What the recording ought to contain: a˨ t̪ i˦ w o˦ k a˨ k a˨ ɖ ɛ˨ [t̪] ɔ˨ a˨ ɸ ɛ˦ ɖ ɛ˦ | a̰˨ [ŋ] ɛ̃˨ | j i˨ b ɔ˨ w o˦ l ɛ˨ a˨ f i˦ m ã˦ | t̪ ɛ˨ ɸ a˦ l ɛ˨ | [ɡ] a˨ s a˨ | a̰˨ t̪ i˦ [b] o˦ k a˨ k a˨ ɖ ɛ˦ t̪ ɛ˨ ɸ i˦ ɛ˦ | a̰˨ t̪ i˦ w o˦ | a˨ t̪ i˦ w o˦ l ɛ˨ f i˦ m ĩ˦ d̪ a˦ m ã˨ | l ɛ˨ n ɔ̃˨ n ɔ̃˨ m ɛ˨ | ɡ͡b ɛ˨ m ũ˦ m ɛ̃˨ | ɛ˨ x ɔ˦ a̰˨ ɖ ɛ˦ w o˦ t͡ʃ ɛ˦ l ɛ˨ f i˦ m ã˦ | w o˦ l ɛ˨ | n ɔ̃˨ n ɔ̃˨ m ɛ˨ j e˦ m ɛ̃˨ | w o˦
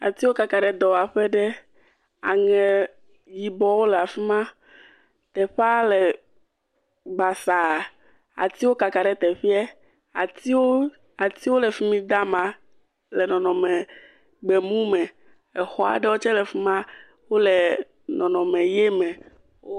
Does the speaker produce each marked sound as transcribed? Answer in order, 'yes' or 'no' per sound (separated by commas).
no, yes, no, no